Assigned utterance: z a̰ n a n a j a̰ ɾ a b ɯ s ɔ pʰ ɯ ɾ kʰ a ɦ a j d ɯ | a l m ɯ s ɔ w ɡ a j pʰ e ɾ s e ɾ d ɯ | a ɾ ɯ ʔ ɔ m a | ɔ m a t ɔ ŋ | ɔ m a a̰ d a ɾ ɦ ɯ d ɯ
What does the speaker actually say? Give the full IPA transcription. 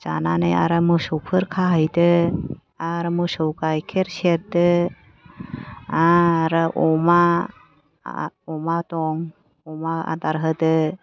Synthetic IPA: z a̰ n a n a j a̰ ɾ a m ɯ s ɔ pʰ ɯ ɾ kʰ a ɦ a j d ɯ | a ɾ m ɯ s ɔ w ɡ a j kʰ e ɾ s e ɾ d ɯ | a ɾ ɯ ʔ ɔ m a | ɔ m a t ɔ ŋ | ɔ m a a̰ d a ɾ ɦ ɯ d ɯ